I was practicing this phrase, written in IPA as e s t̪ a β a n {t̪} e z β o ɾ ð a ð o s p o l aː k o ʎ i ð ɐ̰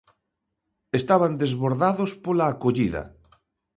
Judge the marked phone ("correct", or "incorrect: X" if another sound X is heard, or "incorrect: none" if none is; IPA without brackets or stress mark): incorrect: d̪